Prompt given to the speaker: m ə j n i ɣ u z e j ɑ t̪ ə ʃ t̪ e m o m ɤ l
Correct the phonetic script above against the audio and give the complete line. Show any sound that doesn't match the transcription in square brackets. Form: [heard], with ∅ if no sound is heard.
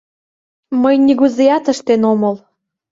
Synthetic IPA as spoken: m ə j n i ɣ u z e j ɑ t̪ ə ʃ t̪ e [n] o m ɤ l